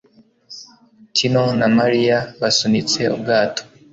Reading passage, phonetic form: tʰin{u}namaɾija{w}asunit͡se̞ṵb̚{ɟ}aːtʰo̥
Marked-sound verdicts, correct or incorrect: incorrect: o, incorrect: β, incorrect: ɡ

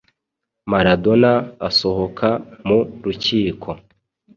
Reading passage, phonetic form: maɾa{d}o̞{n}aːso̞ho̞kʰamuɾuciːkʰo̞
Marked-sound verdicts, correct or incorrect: correct, correct

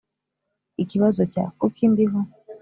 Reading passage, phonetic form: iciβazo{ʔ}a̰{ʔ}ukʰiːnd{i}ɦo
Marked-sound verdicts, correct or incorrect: incorrect: c, incorrect: k, correct

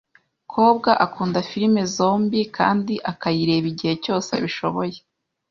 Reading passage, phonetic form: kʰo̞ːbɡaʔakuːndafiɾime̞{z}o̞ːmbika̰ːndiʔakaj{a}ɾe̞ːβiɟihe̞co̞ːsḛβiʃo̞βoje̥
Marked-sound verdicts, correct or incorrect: correct, incorrect: i

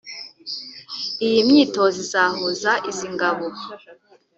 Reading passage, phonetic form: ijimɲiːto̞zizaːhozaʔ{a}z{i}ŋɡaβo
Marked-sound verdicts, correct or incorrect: incorrect: i, correct

